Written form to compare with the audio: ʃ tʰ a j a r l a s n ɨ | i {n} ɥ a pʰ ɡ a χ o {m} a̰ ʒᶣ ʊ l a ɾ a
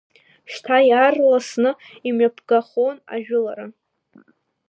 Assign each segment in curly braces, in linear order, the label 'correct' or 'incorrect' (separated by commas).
incorrect, incorrect